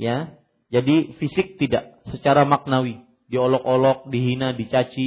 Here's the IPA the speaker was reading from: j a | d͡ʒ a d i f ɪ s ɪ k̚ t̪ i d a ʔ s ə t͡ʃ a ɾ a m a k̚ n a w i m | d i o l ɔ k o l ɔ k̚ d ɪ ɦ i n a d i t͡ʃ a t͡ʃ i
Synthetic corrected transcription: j a | d͡ʒ a d i f i s ɪ k̚ t̪ i d a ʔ s ə t͡ʃ a ɾ a m a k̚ n a w i | d i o l ɔ k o l ɔ k̚ d i ɦ i n a d i t͡ʃ a t͡ʃ i